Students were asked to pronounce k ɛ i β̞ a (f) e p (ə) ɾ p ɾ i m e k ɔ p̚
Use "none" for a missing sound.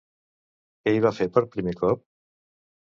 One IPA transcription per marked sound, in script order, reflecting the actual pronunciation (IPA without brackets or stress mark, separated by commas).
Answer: f, ə